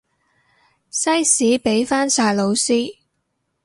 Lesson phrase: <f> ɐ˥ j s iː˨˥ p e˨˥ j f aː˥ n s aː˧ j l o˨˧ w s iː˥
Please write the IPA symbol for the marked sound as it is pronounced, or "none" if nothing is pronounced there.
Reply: s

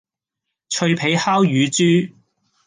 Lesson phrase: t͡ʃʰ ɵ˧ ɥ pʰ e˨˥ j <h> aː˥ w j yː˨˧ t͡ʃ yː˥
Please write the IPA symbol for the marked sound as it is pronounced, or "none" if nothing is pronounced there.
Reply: h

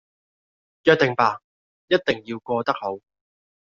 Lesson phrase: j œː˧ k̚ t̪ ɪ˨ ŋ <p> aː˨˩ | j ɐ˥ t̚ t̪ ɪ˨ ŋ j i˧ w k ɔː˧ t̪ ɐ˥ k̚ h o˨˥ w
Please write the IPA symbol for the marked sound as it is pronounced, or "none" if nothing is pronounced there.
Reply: p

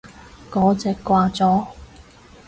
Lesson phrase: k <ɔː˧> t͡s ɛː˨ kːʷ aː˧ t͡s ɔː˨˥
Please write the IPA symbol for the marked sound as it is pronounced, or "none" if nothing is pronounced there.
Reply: ɔː˨˥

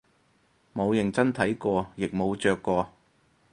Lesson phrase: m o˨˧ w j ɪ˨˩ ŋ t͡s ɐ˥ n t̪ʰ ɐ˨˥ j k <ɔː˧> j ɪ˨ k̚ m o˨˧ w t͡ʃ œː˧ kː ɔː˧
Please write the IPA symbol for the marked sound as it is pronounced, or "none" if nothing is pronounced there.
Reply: ɔː˧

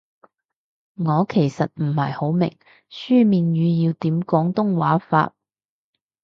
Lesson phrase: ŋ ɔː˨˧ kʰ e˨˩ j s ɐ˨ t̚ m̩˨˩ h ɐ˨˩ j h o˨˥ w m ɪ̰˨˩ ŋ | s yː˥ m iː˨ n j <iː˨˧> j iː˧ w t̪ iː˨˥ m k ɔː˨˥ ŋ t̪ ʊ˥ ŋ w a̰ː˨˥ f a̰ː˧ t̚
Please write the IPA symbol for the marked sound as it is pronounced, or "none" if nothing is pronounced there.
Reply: yː˨˧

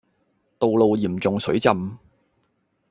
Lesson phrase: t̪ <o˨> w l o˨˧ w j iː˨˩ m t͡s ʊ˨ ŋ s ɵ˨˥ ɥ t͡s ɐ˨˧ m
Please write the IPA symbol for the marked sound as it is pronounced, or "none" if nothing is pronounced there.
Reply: o˨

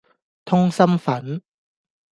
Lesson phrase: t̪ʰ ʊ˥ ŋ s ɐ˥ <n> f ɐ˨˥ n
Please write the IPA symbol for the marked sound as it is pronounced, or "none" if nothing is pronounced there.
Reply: m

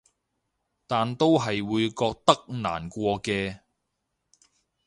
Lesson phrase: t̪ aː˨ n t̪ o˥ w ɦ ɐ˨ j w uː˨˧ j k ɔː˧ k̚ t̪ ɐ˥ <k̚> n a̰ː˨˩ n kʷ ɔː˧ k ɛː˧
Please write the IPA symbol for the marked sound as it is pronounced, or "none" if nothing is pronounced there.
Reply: k̚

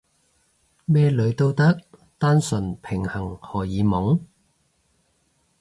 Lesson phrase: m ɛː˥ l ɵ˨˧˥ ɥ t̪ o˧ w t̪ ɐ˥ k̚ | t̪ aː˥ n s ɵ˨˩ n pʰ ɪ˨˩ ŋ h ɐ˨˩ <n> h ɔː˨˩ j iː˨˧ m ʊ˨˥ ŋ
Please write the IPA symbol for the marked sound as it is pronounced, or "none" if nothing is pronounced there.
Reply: ŋ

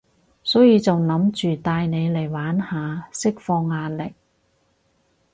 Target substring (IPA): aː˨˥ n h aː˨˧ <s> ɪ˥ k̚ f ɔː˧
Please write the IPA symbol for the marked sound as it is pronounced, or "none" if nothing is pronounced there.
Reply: s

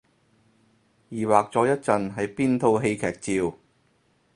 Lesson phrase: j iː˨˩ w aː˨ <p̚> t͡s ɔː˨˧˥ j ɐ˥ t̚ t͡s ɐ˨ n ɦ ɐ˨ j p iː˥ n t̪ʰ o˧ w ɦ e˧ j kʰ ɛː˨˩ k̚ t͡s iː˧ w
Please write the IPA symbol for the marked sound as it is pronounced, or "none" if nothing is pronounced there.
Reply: k̚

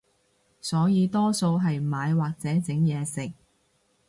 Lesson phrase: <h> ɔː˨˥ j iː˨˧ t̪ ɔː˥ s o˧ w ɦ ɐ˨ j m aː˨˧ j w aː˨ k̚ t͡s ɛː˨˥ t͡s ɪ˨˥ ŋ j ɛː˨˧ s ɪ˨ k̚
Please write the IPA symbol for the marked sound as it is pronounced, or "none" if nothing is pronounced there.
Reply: s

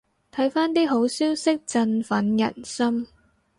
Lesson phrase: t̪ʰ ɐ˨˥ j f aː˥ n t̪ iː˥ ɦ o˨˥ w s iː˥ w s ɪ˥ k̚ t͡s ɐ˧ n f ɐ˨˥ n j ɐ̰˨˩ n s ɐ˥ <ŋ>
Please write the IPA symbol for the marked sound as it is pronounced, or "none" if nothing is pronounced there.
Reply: m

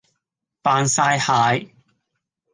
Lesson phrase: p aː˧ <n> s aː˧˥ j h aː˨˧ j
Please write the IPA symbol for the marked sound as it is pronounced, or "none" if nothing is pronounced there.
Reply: n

